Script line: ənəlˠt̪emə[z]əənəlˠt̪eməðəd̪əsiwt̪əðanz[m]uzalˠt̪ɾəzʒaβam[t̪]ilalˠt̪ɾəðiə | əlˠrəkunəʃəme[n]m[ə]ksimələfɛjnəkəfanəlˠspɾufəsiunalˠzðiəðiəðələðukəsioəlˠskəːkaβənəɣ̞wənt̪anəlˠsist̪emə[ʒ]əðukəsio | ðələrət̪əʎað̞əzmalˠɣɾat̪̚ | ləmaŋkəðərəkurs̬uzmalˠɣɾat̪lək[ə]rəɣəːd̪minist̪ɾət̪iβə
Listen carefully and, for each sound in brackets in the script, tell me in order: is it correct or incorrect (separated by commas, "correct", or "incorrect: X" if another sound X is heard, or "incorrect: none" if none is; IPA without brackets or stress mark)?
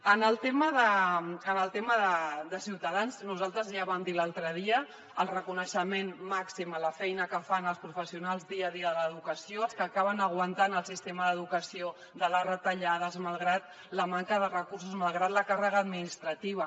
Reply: incorrect: ð, incorrect: n, incorrect: d̪, correct, incorrect: a, incorrect: ð, incorrect: a